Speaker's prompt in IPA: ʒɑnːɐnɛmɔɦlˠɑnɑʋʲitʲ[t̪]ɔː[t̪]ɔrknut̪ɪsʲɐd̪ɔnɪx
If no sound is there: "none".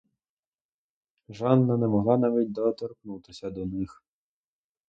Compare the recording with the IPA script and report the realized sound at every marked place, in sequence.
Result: d̪, t̪

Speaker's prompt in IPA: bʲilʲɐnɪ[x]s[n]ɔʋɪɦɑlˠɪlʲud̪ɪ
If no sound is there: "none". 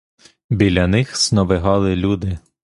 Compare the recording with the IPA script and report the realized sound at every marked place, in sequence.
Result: x, n

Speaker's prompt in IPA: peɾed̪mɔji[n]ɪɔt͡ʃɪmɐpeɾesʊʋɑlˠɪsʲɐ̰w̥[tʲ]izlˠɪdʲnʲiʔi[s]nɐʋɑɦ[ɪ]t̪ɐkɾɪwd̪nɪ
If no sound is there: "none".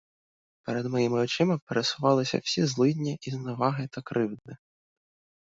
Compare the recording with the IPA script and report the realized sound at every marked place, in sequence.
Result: m, sʲ, z, ɪ

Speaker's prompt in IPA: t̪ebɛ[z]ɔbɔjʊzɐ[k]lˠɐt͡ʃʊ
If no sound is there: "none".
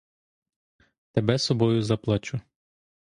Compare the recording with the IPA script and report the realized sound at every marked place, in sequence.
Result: s, p

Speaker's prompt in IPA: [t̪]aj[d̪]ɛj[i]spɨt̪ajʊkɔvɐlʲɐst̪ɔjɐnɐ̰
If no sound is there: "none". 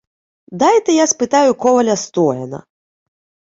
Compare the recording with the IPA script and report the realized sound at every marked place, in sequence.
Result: d̪, t̪, a

